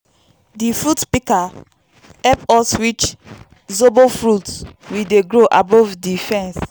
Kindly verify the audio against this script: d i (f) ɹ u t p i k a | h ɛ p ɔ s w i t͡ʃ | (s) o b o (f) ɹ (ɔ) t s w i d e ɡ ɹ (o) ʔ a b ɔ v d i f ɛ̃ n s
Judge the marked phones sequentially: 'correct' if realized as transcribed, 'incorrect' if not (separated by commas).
correct, incorrect, correct, incorrect, correct